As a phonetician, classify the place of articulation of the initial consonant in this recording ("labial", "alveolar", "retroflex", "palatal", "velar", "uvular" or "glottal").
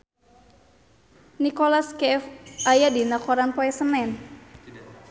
alveolar